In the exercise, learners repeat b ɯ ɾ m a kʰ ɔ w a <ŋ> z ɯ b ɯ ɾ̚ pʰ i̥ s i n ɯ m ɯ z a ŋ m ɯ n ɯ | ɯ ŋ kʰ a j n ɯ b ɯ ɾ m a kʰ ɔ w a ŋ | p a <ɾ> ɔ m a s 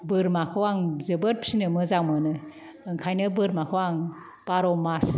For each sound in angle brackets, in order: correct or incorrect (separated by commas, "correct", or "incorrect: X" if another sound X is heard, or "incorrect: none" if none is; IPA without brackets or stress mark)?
correct, correct